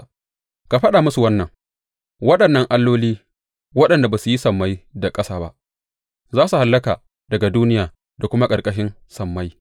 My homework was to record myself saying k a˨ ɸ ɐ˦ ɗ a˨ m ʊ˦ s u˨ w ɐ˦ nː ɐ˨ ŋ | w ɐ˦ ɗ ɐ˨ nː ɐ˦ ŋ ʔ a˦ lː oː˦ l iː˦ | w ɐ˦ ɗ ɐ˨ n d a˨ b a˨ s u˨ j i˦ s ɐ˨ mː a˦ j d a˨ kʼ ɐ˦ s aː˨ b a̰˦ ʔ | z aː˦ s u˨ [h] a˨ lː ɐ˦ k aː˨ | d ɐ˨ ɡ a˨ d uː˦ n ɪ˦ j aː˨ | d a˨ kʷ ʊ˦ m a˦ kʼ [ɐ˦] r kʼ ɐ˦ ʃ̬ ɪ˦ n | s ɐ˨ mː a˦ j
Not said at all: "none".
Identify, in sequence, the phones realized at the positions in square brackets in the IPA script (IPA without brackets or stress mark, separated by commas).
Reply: h, ɐ˨